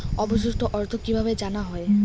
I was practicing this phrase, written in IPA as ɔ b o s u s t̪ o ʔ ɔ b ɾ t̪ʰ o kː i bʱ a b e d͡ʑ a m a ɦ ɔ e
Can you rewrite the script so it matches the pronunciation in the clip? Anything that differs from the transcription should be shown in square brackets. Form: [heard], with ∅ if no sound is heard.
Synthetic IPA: ɔ b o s u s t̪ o ʔ ɔ [∅] ɾ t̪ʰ o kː i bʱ a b e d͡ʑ a [n] a ɦ ɔ e

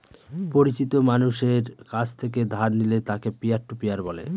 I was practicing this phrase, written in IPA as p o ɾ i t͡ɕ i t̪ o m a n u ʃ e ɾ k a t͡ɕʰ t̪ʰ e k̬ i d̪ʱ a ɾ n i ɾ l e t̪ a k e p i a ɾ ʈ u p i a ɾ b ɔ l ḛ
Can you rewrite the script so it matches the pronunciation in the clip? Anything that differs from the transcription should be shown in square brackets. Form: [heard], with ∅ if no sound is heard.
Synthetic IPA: p o ɾ i t͡ɕ i t̪ o m a n u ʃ e ɾ k a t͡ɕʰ t̪ʰ e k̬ [e] d̪ʱ a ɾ n i [∅] l e t̪ a k e p i a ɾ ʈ u p i a ɾ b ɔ l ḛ

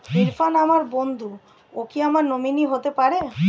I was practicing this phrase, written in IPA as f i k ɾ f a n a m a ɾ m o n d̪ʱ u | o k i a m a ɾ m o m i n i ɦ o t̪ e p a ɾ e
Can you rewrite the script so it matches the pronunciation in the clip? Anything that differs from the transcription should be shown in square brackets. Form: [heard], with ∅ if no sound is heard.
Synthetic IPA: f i [∅] ɾ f a n a m a ɾ [b] o n d̪ʱ u | o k i a m a ɾ [n] o m i n i ɦ o t̪ e p a ɾ e

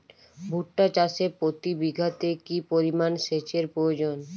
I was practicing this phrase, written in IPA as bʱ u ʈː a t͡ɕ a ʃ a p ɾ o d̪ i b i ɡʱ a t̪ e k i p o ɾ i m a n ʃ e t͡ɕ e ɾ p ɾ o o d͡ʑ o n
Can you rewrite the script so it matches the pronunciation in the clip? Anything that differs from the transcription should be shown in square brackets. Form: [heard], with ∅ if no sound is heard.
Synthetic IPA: bʱ u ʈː a t͡ɕ a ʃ [e] p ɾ o [t̪] i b i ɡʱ a t̪ e k i p o ɾ i m a n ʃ e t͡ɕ e ɾ p ɾ o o d͡ʑ o n

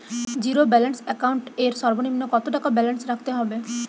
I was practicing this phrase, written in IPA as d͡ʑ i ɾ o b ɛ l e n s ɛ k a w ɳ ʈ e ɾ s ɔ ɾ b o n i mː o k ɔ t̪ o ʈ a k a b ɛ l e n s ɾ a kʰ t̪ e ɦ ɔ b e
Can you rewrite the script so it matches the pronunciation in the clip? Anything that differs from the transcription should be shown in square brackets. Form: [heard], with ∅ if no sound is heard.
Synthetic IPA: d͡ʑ i ɾ o b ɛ l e n s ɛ k a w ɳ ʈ e ɾ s ɔ ɾ b o n i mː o k ɔ t̪ o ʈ a k a b ɛ l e n s ɾ a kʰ t̪ e ɦ ɔ b e

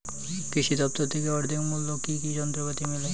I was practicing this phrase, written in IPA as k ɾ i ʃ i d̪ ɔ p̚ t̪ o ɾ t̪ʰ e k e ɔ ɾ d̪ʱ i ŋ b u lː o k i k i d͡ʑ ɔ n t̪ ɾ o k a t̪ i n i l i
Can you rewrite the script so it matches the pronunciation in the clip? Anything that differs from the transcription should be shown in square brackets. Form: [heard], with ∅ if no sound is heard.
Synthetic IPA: k ɾ i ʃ i d̪ ɔ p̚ t̪ o ɾ t̪ʰ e k e ɔ ɾ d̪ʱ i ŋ [m] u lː o k i k i d͡ʑ ɔ n t̪ ɾ o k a t̪ i [m] i l [e]

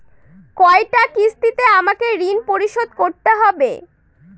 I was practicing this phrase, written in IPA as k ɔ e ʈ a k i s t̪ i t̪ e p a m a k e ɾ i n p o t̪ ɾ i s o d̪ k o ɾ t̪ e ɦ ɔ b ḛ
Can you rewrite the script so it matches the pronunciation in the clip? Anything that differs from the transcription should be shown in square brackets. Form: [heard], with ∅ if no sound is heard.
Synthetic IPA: k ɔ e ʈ a k i s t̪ i t̪ e [∅] a m a k e ɾ i n p o [∅] ɾ i [ʃ] o d̪ k o ɾ t̪ e ɦ ɔ b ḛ

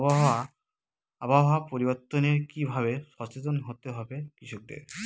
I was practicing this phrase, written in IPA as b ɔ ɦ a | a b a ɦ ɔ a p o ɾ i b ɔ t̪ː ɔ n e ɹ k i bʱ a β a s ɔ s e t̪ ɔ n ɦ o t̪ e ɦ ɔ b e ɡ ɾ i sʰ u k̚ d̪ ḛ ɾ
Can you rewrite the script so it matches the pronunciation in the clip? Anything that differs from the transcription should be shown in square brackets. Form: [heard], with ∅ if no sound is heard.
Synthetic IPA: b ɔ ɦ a | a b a ɦ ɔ a p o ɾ i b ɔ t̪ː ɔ n e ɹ k i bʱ a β [e] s ɔ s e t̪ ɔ n ɦ o t̪ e ɦ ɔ b e [k] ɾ i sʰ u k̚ d̪ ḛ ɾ

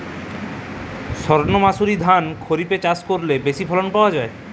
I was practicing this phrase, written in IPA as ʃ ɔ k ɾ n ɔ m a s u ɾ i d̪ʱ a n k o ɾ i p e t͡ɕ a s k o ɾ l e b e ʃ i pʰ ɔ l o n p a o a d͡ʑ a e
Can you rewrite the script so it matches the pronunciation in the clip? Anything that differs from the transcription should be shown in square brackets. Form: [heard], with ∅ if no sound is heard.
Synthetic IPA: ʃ ɔ [∅] ɾ n [o] m a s u ɾ i d̪ʱ a n [kʰ] o ɾ i p e t͡ɕ a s k o ɾ l e b e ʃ i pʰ ɔ l o n p a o a d͡ʑ a e

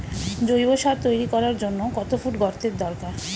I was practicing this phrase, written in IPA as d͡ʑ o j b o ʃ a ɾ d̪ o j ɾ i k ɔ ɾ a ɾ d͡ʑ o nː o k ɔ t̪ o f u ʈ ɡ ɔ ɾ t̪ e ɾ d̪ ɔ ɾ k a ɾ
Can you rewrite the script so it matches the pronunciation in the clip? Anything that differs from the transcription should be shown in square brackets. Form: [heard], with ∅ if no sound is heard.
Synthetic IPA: d͡ʑ o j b o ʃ a ɾ [t̪] o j ɾ i k ɔ ɾ a ɾ d͡ʑ o nː o k ɔ t̪ o f u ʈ ɡ ɔ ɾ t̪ e ɾ d̪ ɔ ɾ k a ɾ

